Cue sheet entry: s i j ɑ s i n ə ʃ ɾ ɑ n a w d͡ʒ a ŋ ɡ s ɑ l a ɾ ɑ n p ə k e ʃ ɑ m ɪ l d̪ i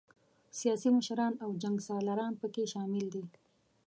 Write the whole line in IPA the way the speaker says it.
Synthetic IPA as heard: s i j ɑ s i m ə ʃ ɾ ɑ n a w d͡ʒ a ŋ ɡ s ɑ l a ɾ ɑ n p ə k e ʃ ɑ m ɪ l d̪ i